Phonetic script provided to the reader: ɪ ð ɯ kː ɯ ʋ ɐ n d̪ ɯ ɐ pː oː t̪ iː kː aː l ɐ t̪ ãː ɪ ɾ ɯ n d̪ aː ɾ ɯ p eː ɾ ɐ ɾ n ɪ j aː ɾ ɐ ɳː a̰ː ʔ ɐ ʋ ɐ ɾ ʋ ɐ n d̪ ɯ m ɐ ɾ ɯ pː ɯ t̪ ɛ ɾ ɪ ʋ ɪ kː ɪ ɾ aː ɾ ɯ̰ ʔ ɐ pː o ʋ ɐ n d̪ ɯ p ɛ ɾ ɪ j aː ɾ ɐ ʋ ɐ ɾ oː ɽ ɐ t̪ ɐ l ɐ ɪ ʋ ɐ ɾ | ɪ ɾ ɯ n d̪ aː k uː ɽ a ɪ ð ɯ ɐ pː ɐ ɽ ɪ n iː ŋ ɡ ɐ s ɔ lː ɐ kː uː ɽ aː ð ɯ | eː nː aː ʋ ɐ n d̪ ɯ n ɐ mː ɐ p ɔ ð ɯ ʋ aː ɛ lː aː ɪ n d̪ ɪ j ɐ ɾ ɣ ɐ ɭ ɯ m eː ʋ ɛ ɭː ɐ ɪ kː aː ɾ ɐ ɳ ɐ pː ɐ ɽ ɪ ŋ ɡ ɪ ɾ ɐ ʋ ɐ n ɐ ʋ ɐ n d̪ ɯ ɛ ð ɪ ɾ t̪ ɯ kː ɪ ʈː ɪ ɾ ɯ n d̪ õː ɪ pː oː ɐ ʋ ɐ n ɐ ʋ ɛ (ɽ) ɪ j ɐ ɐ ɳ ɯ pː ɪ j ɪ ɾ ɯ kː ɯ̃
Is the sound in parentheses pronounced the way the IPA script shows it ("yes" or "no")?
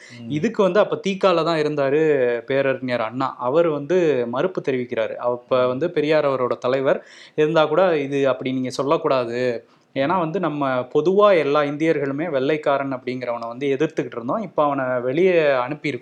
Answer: no